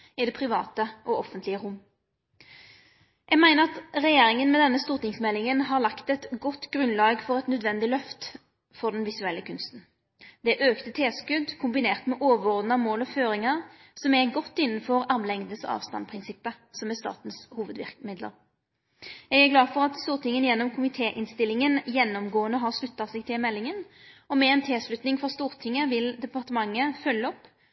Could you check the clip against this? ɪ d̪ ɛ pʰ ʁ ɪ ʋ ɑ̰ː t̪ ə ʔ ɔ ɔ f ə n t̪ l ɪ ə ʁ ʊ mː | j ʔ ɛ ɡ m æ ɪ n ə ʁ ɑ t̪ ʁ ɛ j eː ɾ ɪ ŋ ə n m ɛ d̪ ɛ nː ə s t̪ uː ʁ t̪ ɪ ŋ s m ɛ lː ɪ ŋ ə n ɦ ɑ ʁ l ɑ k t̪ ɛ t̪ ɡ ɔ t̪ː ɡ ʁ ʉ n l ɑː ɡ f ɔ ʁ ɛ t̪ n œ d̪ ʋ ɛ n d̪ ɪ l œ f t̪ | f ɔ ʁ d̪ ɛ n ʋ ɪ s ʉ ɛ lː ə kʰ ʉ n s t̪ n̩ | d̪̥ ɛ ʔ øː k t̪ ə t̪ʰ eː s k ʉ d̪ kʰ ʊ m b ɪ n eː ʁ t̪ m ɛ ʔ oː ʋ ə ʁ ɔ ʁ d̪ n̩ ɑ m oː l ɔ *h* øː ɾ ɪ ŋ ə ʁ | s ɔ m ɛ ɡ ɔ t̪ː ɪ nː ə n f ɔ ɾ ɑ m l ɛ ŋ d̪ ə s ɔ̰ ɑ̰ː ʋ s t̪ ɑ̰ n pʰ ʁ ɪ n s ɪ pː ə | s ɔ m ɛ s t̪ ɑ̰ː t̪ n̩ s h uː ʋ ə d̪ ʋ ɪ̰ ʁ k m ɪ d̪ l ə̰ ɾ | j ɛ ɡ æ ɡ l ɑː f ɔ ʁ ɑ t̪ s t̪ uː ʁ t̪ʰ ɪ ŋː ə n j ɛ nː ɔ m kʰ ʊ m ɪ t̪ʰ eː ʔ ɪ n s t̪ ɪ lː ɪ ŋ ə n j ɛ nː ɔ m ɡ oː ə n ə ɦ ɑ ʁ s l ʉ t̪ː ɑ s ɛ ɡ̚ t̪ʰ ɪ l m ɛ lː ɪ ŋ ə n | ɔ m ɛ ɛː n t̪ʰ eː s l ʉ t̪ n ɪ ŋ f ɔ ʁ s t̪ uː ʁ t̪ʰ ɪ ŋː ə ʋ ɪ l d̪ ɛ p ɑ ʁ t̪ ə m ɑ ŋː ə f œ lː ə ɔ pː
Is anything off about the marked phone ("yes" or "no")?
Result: yes